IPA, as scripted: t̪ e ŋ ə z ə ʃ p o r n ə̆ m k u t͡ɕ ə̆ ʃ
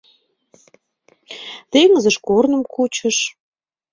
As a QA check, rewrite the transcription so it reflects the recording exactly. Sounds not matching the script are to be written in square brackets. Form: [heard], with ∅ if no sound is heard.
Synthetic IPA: t̪ e ŋ ə z ə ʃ [k] o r n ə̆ m k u t͡ɕ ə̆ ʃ